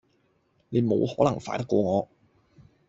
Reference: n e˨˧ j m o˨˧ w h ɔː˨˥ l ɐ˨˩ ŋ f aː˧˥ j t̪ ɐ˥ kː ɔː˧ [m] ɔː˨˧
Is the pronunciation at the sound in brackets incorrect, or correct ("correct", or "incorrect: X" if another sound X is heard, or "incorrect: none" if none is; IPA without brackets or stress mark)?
incorrect: ŋ